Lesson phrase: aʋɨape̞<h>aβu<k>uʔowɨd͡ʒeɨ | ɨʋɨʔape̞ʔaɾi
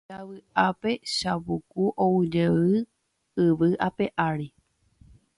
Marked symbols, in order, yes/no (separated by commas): no, yes